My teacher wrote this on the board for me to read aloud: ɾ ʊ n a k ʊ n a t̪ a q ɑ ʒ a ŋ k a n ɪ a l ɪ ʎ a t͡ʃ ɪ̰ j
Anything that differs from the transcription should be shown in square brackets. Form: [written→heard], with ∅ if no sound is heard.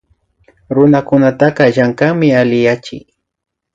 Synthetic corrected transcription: ɾ ʊ n a k ʊ n a t̪ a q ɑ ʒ a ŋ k a [n→m] ɪ a l ɪ [ʎ→j] a t͡ʃ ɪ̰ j